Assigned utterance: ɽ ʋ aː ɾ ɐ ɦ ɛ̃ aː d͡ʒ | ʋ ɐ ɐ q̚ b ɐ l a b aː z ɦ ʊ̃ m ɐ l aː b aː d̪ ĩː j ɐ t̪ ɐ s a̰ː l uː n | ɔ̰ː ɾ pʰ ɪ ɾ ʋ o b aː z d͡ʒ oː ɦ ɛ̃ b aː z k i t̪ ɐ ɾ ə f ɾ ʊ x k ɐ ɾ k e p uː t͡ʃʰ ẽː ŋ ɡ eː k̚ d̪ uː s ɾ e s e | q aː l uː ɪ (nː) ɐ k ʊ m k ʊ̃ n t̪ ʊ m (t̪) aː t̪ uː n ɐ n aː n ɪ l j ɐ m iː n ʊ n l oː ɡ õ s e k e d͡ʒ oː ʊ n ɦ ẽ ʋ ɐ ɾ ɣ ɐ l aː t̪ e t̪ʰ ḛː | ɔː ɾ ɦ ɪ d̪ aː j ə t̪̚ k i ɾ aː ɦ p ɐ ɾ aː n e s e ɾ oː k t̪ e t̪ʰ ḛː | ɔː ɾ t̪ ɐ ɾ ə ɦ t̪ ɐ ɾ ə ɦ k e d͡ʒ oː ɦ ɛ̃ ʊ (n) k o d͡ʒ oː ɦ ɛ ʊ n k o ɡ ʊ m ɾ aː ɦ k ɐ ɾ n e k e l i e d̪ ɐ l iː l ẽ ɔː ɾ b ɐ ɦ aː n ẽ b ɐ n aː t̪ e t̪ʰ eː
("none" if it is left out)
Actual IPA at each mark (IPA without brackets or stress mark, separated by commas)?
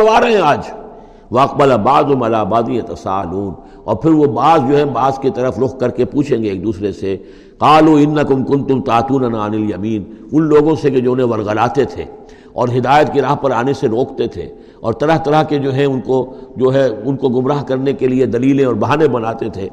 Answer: nː, t̪, n